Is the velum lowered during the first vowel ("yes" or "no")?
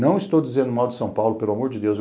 yes